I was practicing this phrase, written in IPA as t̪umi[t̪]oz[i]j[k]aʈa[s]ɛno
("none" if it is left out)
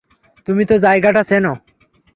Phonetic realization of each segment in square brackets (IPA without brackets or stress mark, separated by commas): t̪, a, ɡ, s